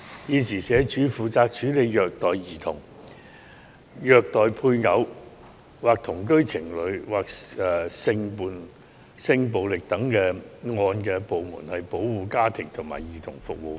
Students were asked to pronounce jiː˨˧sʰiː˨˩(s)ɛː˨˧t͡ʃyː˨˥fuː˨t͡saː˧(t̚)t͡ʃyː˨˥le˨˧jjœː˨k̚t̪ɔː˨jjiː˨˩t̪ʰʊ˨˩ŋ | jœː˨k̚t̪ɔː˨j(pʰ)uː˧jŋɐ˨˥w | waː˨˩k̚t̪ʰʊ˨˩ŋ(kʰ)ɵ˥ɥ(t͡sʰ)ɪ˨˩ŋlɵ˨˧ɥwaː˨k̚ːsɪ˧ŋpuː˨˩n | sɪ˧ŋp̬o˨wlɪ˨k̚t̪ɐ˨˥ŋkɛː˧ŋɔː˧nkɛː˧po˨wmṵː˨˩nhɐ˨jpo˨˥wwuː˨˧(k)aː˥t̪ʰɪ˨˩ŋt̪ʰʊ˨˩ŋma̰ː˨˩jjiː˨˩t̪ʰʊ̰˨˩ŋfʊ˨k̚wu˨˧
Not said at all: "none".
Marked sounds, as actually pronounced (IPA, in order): s, k̚, pʰ, k, t͡sʰ, k

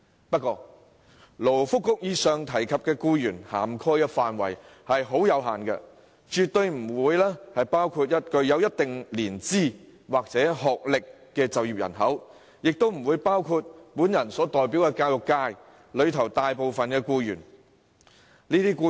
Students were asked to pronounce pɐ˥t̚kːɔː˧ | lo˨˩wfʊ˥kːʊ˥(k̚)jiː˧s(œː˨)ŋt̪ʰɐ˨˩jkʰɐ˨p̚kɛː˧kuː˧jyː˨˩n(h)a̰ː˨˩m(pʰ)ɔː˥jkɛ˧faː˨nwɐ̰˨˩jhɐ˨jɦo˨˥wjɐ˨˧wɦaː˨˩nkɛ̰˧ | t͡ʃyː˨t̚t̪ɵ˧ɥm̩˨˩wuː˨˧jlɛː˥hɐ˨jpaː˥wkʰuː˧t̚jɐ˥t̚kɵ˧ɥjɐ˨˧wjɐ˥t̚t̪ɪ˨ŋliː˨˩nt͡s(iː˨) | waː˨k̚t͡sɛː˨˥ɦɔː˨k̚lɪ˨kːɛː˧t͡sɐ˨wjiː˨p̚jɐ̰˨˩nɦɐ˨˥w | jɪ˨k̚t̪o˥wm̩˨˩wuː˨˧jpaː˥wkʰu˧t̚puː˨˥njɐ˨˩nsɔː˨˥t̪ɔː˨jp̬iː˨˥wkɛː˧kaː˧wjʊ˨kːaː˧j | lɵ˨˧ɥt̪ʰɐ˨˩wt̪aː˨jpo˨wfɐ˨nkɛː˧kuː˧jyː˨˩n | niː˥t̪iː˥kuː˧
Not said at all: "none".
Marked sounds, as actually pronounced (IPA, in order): k̚, œː˨, h, kʰ, iː˥

